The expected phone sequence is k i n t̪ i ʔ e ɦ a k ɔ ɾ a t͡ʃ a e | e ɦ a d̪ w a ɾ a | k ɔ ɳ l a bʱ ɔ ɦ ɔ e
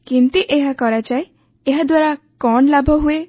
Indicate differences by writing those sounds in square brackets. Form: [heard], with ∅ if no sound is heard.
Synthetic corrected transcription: k i n t̪ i ʔ e ɦ a k ɔ ɾ a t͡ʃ a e | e ɦ a d̪ w a ɾ a | k ɔ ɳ l a bʱ ɔ ɦ [u] e